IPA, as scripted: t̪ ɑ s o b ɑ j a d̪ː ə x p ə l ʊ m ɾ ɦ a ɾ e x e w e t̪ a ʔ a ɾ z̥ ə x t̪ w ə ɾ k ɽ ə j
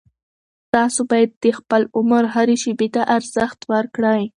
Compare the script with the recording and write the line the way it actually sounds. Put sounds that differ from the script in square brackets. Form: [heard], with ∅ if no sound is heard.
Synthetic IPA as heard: t̪ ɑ s o b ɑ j a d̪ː ə x p ə l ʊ m ɾ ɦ a ɾ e [ʃ] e [b] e t̪ a ʔ a ɾ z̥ ə x t̪ w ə ɾ k ɽ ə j